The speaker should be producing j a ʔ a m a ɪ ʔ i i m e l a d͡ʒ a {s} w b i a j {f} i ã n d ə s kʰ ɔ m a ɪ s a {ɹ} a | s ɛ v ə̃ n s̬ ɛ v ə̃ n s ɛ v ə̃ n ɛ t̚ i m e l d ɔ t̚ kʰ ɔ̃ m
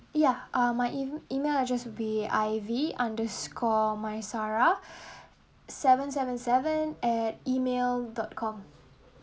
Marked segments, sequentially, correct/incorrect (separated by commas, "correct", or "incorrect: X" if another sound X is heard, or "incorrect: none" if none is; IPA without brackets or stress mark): correct, incorrect: v, correct